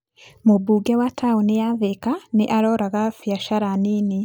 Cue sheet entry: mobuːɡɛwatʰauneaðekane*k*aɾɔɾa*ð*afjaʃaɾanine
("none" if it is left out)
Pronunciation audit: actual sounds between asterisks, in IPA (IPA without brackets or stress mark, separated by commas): ʔ, ɣ